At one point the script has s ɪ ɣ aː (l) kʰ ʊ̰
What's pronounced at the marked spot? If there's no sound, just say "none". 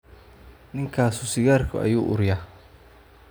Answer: r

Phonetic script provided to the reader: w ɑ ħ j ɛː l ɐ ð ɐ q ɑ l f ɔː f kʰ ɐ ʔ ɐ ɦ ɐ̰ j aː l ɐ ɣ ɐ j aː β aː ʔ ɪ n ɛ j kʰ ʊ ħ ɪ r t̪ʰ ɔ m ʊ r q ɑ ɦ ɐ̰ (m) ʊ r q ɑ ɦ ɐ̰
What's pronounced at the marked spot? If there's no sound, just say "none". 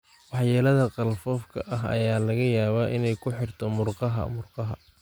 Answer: m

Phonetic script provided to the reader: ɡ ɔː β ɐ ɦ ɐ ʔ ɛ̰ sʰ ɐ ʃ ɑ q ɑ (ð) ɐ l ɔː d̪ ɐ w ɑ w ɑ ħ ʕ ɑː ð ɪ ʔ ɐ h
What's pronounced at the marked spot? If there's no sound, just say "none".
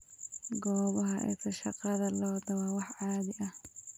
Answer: ð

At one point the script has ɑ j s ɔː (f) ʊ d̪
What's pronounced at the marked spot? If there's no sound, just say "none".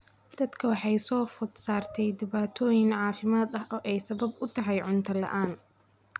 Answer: f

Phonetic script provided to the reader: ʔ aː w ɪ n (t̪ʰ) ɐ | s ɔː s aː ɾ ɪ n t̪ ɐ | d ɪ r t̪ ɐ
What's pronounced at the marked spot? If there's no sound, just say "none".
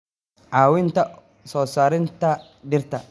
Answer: t̪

